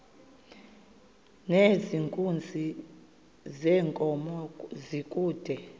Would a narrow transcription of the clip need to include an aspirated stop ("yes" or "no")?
no